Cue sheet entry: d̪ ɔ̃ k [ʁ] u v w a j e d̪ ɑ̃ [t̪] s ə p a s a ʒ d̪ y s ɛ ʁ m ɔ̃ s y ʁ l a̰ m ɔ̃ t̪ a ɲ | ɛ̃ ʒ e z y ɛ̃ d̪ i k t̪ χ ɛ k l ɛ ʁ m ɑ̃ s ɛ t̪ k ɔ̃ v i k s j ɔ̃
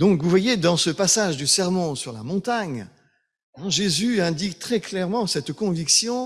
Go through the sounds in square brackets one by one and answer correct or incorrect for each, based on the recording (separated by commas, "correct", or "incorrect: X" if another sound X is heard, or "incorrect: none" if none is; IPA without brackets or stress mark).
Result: incorrect: v, incorrect: none